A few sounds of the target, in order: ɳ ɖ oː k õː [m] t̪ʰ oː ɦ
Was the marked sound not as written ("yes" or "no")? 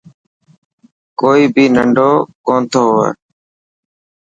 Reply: yes